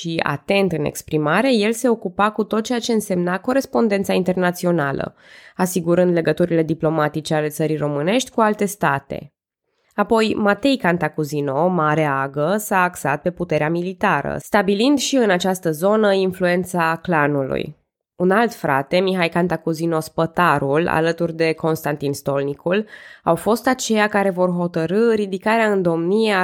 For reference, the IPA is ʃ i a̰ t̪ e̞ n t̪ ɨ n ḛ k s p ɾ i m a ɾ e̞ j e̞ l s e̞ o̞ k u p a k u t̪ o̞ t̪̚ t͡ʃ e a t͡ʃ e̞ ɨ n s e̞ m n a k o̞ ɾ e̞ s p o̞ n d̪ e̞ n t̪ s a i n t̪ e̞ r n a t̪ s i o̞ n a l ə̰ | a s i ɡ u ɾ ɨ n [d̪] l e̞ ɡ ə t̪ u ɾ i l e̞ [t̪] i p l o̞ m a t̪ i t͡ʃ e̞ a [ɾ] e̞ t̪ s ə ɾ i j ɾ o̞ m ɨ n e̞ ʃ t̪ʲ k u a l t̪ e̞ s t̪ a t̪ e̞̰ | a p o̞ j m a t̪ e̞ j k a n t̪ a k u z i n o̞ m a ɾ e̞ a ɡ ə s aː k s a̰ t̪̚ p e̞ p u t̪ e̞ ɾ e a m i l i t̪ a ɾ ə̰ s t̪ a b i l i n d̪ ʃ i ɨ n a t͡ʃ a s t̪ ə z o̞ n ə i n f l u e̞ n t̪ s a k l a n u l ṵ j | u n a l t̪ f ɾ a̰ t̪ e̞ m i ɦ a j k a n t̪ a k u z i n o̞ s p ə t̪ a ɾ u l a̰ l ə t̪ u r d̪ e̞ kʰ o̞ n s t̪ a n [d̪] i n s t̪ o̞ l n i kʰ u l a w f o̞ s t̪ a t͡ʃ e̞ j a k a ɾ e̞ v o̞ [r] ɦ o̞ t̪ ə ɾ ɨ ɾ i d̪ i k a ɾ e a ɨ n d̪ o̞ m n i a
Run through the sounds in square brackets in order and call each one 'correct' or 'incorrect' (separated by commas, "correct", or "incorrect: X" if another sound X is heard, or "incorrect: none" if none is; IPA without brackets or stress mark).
correct, incorrect: d̪, incorrect: l, incorrect: t̪, correct